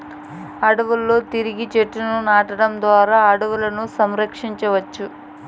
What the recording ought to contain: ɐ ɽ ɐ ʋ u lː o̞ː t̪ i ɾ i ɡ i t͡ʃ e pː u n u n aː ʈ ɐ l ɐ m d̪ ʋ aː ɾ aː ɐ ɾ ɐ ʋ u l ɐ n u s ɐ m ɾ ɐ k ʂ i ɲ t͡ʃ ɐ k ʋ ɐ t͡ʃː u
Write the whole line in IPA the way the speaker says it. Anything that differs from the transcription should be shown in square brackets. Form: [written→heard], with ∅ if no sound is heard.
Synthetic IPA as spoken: ɐ ɽ ɐ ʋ u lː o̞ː t̪ i ɾ i ɡ i t͡ʃ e [pː→ʈː] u n u n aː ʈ ɐ [l→ɽ] ɐ m d̪ ʋ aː ɾ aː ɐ [ɾ→ɽ] ɐ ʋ u l ɐ n u s ɐ m ɾ ɐ k ʂ i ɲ t͡ʃ ɐ [k→∅] ʋ ɐ t͡ʃː u